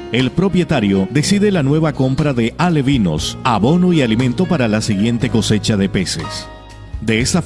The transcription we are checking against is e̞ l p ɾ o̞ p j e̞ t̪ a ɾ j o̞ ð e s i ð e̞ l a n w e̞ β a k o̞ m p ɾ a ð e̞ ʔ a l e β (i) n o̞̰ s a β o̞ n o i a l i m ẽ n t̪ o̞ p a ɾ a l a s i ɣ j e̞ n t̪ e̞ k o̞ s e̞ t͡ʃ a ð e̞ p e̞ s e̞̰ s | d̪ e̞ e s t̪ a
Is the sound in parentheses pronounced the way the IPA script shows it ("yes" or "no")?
yes